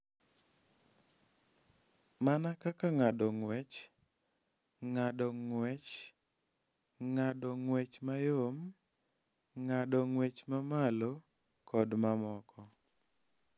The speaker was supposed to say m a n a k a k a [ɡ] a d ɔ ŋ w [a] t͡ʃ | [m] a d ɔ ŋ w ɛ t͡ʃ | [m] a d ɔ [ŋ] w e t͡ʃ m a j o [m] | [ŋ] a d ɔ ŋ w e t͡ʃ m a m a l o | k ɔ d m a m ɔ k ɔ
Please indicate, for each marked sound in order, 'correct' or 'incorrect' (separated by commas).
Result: incorrect, incorrect, incorrect, incorrect, correct, correct, correct